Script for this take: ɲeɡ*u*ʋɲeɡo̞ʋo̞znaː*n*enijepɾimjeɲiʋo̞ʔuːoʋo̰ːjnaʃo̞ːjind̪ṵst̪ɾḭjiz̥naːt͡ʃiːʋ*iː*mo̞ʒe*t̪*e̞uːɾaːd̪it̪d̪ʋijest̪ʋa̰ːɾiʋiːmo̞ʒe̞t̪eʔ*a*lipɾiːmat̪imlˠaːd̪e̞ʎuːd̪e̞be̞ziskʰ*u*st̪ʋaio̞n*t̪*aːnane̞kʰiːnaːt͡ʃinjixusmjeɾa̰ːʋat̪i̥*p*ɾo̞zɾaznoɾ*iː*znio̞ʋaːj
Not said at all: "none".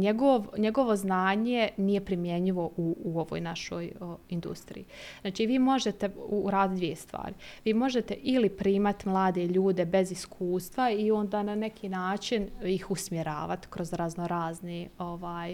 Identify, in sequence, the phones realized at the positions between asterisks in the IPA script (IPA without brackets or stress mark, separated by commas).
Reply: o, ɲ, iː, t̪, i, uː, d̪, k, aː